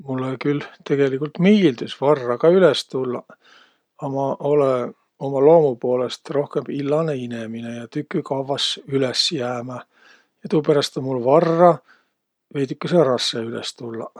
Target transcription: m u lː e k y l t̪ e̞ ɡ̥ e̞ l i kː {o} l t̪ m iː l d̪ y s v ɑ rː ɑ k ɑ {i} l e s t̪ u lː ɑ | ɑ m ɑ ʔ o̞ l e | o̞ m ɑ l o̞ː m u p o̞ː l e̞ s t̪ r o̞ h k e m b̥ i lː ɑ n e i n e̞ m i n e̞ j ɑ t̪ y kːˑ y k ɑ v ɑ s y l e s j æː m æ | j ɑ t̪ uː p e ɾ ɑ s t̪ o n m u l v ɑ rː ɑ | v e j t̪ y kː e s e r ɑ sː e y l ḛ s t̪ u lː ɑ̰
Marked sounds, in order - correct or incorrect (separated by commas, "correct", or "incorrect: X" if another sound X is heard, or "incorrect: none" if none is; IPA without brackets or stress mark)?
incorrect: u, incorrect: y